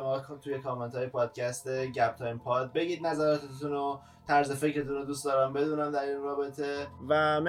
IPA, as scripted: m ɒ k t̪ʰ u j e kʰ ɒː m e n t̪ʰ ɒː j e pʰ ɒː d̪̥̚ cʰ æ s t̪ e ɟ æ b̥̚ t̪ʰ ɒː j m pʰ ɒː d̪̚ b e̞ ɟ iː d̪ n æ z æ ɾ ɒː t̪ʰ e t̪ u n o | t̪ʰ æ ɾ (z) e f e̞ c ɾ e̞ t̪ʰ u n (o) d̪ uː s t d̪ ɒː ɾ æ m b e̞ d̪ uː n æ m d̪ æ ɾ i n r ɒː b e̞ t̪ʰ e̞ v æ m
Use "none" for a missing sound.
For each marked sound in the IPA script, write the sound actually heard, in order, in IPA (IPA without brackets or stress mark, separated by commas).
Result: z, o